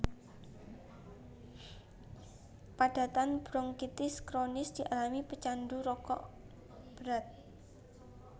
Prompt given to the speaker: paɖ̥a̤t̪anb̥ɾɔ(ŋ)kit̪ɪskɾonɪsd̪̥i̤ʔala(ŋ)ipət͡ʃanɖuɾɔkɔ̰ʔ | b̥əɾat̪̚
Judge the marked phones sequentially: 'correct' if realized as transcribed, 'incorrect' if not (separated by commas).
correct, incorrect